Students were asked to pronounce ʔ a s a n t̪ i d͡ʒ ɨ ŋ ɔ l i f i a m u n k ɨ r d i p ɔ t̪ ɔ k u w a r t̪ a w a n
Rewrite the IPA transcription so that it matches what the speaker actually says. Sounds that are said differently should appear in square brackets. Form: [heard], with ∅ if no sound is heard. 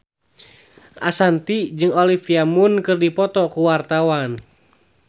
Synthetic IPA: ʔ a s a n t̪ i d͡ʒ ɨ ŋ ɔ l i f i a m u n k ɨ r d i p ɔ t̪ ɔ k u w a r t̪ a w a n